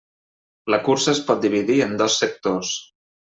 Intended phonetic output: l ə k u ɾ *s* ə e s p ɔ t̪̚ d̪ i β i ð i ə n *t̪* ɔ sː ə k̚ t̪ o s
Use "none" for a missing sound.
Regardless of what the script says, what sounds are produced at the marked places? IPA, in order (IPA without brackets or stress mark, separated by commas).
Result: s, d̪